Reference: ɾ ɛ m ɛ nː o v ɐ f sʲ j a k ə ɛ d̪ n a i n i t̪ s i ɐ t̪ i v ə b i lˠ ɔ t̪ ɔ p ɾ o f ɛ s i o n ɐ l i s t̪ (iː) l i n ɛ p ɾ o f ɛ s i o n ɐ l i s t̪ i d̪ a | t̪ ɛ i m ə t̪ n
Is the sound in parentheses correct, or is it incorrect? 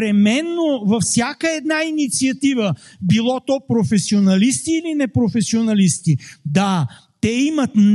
correct